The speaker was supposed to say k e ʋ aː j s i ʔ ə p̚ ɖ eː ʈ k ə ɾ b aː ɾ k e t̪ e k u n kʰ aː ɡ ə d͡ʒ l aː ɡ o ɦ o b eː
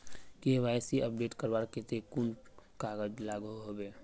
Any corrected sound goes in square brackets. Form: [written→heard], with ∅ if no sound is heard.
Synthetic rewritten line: k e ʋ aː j s i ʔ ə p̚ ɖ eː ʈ k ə ɾ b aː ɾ k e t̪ e k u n [kʰ→k] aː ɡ ə d͡ʒ l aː ɡ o ɦ o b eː